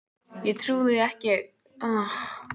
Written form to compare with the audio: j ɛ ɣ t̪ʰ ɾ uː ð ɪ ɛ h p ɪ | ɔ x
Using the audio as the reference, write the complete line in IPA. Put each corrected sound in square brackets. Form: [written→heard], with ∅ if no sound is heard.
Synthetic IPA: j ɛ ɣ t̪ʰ ɾ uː ð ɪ ɛ h [p→c] ɪ | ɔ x